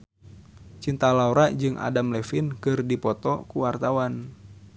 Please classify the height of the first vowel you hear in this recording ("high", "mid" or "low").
high